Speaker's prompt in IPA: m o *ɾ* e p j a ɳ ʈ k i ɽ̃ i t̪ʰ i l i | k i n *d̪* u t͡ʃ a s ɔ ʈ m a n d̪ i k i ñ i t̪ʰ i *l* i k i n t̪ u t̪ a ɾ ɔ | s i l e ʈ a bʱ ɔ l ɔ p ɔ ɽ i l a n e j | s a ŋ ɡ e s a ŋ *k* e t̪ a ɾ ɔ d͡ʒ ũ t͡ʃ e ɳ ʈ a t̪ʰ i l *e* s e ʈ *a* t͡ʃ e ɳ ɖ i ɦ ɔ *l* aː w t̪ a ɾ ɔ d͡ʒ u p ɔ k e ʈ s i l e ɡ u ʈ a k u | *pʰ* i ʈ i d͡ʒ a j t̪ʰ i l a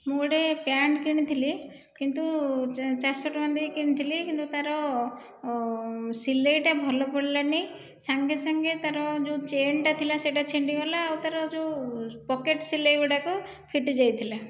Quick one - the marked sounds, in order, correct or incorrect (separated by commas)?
incorrect, incorrect, correct, incorrect, incorrect, correct, correct, correct